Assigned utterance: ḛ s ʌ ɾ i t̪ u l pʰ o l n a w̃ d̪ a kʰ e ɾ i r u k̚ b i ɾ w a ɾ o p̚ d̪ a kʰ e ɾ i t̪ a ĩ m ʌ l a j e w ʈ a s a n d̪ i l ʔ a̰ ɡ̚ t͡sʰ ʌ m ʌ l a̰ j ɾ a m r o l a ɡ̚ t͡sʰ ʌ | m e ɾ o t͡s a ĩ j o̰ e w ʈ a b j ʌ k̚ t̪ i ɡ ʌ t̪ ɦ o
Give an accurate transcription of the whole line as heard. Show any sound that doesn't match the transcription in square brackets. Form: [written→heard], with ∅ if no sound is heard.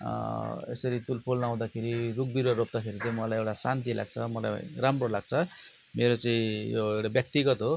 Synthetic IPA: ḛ s ʌ ɾ i t̪ u l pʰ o l n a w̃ d̪ a kʰ e ɾ i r u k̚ b i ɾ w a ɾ o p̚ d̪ a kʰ e ɾ i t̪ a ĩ m ʌ l a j e w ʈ a s a n [d̪→t̪] i l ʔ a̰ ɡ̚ t͡sʰ ʌ m ʌ l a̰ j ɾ a m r o l a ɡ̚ t͡sʰ ʌ | m e ɾ o t͡s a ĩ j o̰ e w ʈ a b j ʌ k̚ t̪ i ɡ ʌ t̪ ɦ o